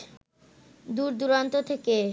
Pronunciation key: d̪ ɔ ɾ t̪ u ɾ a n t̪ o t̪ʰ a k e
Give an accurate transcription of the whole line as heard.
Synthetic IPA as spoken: d̪ u ɾ d̪ u ɾ a n t̪ o t̪ʰ e k e

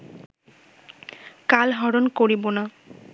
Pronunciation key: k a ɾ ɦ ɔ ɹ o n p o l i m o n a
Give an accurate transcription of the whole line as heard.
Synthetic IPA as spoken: k a l ɦ ɔ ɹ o n k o ɹ i b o n a

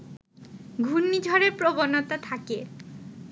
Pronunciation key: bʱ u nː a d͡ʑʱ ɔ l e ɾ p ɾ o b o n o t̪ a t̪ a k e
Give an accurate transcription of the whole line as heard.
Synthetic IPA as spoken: ɡʱ u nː i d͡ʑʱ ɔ ɾ e ɾ p ɾ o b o n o t̪ a t̪ʰ a k e

